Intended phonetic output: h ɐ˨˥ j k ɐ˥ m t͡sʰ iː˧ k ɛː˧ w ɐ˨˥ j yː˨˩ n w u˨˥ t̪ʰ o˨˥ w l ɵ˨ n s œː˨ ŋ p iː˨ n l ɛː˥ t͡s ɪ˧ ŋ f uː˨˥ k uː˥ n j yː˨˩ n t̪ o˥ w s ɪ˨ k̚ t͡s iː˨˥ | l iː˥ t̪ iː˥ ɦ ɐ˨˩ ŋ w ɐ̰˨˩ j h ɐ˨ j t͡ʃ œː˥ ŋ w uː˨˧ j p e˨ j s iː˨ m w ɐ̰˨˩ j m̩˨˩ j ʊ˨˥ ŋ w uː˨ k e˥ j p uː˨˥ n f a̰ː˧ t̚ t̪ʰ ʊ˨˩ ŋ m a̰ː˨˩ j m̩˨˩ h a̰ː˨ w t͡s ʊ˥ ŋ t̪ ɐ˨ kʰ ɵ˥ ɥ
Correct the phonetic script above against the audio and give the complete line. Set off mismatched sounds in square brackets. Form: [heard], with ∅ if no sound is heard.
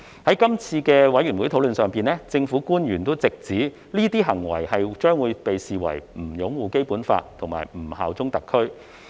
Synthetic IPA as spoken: h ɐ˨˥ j k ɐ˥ m t͡sʰ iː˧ k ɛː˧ w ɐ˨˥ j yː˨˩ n w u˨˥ t̪ʰ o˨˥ w l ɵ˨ n s œː˨ ŋ p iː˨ n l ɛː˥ t͡s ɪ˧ ŋ f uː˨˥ k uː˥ n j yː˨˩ n t̪ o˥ w [t͡s] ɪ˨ k̚ t͡s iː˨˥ | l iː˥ t̪ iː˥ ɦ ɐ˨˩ ŋ w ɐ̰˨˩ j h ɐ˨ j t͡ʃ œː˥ ŋ w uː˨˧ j p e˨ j s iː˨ [∅] w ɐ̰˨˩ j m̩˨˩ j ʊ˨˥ ŋ w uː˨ k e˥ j p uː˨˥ n f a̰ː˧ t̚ t̪ʰ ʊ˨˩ ŋ m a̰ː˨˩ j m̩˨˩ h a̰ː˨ w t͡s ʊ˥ ŋ t̪ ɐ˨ kʰ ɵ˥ ɥ